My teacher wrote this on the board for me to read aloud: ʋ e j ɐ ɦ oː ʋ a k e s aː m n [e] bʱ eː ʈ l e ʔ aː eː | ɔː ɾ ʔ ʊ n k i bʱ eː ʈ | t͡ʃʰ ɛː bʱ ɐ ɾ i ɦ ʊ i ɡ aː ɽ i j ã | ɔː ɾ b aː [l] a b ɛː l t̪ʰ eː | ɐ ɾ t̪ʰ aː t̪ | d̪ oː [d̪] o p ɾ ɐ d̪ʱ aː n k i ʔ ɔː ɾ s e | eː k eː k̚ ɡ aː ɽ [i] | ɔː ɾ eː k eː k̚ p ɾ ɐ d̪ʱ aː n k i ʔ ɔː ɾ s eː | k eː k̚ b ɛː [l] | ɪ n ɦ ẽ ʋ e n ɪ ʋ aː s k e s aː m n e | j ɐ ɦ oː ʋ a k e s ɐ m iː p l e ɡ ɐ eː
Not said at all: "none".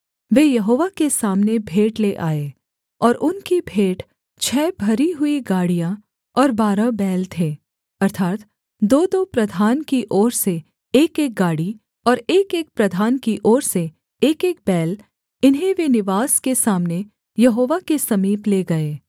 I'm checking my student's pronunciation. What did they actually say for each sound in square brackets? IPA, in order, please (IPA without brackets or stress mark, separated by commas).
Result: e, ɾ, d̪, i, l